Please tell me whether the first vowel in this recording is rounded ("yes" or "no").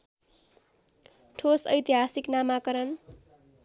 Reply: yes